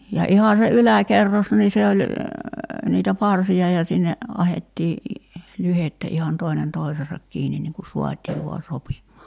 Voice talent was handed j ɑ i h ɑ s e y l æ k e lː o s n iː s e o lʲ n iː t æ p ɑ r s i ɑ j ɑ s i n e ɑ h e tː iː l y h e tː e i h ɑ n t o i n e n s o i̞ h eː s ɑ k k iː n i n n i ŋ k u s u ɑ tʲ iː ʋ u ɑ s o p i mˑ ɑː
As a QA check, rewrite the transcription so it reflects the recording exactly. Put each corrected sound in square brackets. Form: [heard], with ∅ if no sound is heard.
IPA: j ɑ i h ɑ s e y l æ k e [rː] o s n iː s e o lʲ n iː t æ p ɑ r s i ɑ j ɑ s i [nː] e ɑ h e tː iː l y h e tː [æ] i h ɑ n t o i n e n [t] o i̞ [s] eː s ɑ k k iː n i n n i ŋ k u s u ɑ tʲ iː ʋ u ɑ s o p i mˑ ɑː